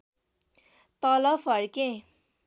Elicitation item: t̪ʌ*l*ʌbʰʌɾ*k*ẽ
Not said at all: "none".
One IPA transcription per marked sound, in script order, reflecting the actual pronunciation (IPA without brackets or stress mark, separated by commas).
l, k